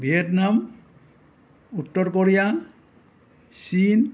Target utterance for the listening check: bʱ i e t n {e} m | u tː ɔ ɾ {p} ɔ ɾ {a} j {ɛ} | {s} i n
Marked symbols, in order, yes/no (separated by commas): no, no, no, no, yes